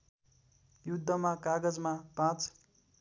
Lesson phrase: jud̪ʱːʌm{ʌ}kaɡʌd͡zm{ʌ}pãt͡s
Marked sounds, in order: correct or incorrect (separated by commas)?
incorrect, incorrect